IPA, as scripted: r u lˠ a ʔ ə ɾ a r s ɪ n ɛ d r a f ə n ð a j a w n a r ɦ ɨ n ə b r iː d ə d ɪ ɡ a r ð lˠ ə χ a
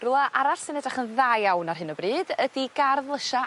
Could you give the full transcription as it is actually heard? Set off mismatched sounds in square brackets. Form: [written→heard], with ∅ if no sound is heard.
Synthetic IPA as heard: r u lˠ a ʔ [ə→a] ɾ a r s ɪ n ɛ d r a [f→χ] ə n ð a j a w n a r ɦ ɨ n ə b r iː d ə d [ɪ→i] ɡ a r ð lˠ ə [χ→ʃ] a